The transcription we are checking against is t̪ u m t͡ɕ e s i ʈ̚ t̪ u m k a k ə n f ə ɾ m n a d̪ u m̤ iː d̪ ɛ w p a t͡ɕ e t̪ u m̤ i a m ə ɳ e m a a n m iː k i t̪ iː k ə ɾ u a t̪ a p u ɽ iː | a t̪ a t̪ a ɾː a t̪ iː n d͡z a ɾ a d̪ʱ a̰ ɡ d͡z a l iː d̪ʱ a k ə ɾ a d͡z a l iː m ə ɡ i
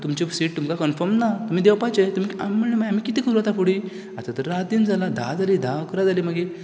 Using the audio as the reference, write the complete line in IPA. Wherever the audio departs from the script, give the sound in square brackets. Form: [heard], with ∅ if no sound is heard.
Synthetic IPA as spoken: t̪ u m t͡ɕ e s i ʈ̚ t̪ u m k a k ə n f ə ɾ m n a [t̪] u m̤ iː d̪ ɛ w p a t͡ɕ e t̪ u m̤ i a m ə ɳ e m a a [∅] m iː k i t̪ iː k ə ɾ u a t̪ a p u ɽ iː | a t̪ a t̪ [ə] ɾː a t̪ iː n d͡z a [l] a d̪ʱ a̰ [∅] d͡z a l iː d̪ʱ a k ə ɾ a d͡z a l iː m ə ɡ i